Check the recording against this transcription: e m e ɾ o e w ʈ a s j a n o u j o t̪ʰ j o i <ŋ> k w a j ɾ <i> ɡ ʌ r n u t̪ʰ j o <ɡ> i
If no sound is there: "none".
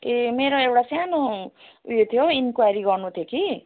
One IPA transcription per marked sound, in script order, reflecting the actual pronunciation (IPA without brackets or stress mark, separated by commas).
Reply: n, i, k